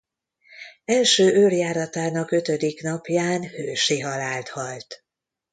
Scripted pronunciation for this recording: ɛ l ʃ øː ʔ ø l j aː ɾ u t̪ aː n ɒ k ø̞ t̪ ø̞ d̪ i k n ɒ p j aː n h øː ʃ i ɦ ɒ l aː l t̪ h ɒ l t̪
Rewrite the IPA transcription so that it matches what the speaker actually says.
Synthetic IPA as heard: ɛ l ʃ øː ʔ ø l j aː ɾ ɒ t̪ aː n ɒ k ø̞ t̪ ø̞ d̪ i k n ɒ p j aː n h øː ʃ i ɦ ɒ l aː l t̪ h ɒ l t̪